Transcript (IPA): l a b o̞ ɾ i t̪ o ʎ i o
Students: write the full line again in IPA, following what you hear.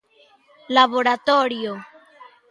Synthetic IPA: l a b o̞ ɾ a t̪ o ɾ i o